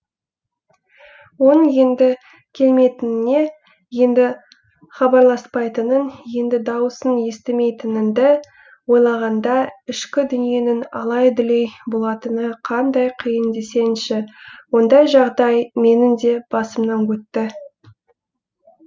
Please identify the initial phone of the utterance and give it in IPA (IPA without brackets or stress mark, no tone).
w